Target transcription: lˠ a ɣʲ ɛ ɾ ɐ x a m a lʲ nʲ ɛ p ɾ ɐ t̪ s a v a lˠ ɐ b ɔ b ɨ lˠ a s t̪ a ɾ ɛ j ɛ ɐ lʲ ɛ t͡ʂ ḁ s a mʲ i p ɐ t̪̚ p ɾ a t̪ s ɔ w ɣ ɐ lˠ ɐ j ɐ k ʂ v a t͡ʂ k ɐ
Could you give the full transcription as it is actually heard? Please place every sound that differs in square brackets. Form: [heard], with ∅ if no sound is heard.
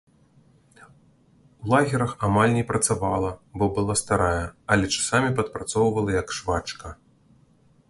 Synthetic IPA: lˠ a ɣʲ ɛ ɾ ɐ x a m a lʲ nʲ ɛ p ɾ ɐ t̪ s a v a lˠ ɐ b ɔ b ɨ lˠ a s t̪ a ɾ [a] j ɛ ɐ lʲ ɛ t͡ʂ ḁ s a mʲ i p ɐ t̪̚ p ɾ a t̪ s ɔ w [v] ɐ lˠ ɐ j ɐ k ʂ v a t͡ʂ k ɐ